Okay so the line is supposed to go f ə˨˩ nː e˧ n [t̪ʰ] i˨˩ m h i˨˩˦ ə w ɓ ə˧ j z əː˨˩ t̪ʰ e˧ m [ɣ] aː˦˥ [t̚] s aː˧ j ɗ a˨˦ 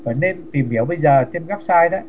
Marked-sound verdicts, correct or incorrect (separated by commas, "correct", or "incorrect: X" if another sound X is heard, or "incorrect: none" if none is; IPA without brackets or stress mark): incorrect: t̪, correct, incorrect: p̚